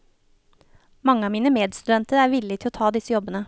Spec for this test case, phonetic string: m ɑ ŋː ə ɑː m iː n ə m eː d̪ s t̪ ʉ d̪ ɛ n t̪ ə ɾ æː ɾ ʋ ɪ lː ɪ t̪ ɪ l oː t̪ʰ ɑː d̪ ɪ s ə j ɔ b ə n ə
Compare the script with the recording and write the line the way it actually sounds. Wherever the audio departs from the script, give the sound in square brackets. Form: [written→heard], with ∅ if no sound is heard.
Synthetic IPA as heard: m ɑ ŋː ə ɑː m iː n ə m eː d̪ s t̪ ʉ d̪ ɛ n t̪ ə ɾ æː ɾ ʋ ɪ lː ɪ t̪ ɪ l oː t̪ʰ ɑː d̪ ɪ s ə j ɔ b ə n ə